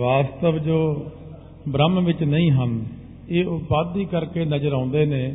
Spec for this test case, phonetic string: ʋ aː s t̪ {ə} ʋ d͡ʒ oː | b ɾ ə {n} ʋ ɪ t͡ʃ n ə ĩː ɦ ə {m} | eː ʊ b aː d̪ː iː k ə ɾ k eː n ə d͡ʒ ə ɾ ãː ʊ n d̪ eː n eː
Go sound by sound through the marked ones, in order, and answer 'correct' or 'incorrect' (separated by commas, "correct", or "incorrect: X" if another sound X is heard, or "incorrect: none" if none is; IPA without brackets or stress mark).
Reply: correct, incorrect: m, incorrect: n